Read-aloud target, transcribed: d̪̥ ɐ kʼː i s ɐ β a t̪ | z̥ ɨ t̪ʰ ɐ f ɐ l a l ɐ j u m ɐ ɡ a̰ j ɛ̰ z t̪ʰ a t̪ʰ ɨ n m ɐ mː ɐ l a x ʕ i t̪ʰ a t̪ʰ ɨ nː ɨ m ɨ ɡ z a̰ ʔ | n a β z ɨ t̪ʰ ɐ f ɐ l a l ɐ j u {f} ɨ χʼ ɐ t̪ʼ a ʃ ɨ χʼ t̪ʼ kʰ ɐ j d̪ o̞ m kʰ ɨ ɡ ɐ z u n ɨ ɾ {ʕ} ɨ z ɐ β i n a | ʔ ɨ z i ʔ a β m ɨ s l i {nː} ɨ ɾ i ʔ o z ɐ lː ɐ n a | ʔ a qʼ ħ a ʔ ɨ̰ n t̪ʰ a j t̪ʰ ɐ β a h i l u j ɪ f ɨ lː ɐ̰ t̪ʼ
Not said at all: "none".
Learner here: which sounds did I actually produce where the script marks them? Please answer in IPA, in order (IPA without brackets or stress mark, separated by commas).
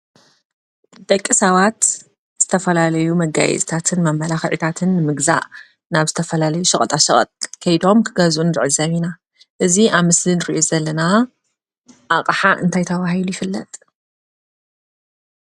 ʃ, ʕ, n